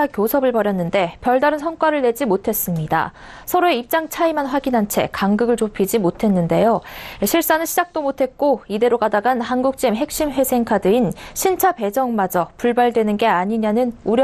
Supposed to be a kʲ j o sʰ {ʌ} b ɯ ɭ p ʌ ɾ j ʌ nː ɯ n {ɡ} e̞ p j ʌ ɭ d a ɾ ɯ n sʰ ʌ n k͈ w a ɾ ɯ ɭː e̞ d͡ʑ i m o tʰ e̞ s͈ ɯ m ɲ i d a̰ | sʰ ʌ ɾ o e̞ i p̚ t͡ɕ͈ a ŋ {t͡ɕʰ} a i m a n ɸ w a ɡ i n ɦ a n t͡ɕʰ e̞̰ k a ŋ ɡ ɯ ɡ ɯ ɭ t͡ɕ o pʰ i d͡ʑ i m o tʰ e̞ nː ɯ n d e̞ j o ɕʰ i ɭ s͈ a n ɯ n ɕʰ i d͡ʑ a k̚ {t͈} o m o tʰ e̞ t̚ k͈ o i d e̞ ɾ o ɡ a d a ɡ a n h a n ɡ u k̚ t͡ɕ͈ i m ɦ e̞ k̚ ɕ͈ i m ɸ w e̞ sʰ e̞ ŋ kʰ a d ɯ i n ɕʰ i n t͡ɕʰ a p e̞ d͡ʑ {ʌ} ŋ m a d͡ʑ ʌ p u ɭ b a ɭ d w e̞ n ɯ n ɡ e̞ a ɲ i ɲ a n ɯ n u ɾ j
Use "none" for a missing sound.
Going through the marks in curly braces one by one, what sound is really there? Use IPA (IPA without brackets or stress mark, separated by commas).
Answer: ʌ, d, t͡ɕʰ, t͈, ʌ